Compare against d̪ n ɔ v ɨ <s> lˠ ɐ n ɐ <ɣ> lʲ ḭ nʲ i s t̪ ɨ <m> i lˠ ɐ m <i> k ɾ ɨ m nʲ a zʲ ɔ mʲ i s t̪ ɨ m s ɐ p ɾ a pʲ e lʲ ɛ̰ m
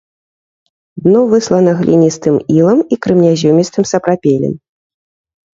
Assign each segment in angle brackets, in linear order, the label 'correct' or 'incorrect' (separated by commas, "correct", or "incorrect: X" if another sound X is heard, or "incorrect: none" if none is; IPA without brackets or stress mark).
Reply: correct, correct, correct, correct